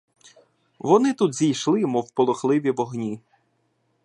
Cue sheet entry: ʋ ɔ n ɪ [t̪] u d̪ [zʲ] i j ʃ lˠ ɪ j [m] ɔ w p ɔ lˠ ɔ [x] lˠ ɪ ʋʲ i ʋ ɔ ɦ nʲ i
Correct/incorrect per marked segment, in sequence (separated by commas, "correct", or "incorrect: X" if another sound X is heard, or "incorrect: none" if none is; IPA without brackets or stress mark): correct, correct, correct, correct